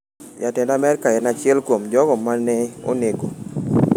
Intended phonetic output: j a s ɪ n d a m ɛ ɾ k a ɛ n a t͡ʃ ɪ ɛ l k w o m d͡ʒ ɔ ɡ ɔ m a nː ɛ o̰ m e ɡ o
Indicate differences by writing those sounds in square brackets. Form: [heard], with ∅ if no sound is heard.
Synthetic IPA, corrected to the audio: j a [t] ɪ n d a m ɛ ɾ k a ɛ n a t͡ʃ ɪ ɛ l k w o m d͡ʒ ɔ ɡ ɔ m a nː ɛ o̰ [n] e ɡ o